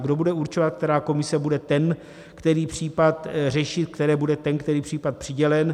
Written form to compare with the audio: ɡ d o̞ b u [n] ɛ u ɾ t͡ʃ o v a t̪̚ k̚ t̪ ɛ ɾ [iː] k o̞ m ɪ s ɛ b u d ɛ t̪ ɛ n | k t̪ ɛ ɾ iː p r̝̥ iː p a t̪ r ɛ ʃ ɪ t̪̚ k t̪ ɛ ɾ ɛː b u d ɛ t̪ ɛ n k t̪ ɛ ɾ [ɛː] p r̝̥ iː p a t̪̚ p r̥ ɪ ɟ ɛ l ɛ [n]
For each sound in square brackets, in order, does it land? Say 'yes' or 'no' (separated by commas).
no, no, no, yes